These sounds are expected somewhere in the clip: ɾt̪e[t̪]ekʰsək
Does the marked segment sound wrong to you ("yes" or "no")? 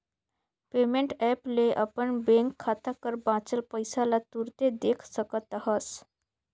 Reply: yes